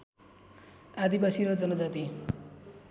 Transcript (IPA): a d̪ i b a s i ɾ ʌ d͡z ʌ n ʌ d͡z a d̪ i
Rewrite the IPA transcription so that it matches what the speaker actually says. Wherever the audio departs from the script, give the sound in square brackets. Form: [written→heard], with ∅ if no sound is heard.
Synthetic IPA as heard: a d̪ i b a s i ɾ ʌ d͡z ʌ n ʌ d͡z a [d̪→t̪] i